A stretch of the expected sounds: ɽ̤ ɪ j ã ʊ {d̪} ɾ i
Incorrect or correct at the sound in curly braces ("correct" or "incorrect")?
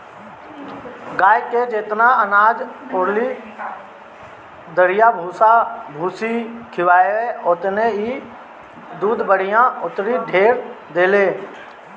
incorrect